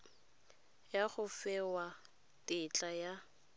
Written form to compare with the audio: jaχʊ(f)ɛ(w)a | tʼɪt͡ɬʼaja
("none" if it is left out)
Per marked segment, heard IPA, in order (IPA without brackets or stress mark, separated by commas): f, w